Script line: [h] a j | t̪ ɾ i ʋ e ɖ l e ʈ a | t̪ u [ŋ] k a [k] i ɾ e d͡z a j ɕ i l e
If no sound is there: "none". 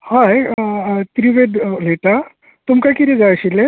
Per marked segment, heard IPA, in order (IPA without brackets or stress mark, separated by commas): h, m, k